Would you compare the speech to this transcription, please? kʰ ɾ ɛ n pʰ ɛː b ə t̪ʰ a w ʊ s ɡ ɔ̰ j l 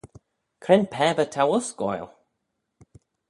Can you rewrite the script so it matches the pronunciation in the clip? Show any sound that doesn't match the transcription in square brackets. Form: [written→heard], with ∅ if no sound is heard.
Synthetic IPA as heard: kʰ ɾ ɛ n pʰ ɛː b ə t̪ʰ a w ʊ s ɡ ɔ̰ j l